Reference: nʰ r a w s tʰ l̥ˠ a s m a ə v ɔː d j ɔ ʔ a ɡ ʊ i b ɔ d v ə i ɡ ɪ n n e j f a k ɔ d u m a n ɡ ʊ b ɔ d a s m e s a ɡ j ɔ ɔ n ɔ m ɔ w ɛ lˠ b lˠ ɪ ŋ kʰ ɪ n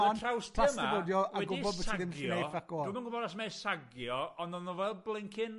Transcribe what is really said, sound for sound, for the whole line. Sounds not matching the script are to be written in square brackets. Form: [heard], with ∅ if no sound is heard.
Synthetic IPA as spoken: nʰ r a w s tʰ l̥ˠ a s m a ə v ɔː d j ɔ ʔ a ɡ ʊ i b ɔ d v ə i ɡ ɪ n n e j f a k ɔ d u m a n ɡ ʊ b ɔ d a s m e s a ɡ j ɔ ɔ n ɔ [n] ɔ [v] ɛ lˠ b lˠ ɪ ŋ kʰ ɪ n